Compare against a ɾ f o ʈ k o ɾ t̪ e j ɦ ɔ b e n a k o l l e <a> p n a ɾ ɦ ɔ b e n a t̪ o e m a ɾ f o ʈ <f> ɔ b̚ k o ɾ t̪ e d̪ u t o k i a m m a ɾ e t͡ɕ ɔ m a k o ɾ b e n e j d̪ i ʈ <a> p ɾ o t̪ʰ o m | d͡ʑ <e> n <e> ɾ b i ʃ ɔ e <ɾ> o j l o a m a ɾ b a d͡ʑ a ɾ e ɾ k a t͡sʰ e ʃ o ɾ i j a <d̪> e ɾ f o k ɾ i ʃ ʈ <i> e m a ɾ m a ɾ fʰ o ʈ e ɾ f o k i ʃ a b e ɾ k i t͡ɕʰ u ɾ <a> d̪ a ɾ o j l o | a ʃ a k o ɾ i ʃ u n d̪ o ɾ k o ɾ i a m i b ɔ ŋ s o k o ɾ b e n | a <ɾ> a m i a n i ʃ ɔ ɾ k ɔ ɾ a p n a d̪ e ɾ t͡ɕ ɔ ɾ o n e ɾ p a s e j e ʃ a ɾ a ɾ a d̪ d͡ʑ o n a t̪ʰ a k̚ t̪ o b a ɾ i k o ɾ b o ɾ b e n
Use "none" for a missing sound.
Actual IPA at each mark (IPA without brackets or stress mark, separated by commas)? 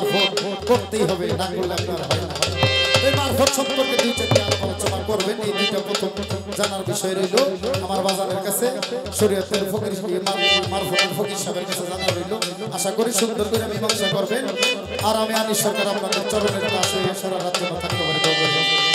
a, ʃ, a, a, a, ɾ, t̪, i, a, ɾ